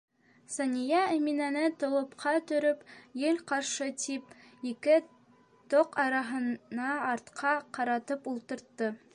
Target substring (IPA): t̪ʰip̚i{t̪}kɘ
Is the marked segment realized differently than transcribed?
yes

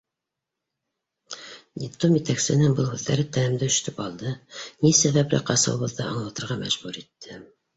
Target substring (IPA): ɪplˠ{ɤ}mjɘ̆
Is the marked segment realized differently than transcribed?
yes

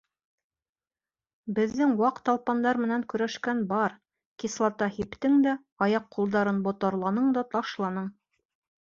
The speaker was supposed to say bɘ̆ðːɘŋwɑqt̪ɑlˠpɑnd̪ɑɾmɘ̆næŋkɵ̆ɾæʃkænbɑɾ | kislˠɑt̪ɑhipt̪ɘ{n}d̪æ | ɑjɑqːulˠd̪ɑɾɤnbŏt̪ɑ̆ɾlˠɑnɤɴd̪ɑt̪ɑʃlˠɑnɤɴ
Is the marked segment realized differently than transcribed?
yes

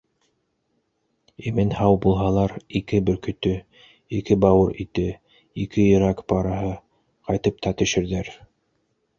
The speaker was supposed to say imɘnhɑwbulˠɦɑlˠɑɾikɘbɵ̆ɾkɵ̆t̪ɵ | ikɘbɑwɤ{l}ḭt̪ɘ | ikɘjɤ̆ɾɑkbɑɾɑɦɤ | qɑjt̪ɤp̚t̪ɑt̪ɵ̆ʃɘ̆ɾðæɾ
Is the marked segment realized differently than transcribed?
yes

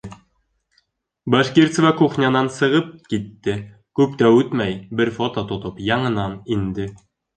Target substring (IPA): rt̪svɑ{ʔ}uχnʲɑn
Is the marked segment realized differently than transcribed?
yes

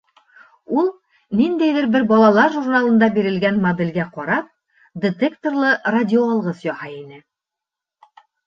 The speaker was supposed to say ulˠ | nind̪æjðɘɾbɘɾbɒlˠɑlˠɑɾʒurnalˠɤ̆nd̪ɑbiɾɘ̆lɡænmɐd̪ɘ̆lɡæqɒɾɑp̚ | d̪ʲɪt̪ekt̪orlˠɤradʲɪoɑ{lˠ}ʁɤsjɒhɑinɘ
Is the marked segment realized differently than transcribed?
no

